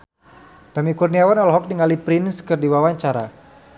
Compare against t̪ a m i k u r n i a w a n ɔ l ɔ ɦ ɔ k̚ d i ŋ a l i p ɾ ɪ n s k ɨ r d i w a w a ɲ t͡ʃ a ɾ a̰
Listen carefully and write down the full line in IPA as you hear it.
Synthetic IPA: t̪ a m i k u r n i a w a n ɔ l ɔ ɦ ɔ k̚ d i ŋ a l i p ɾ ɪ n s k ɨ r d i w a w a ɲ t͡ʃ a ɾ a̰